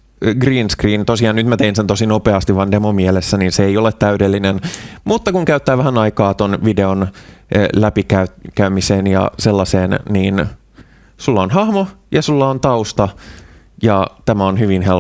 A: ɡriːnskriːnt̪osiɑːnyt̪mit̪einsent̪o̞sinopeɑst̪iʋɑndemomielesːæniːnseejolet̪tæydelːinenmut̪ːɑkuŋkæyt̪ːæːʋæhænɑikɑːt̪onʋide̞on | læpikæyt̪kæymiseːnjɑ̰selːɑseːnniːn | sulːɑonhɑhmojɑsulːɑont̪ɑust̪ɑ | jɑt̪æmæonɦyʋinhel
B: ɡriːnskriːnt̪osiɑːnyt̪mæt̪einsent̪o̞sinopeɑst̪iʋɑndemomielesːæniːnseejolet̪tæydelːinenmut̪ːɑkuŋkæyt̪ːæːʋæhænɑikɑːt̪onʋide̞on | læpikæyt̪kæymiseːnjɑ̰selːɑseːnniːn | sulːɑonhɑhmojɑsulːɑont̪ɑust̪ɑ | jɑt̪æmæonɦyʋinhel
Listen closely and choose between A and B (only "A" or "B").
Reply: B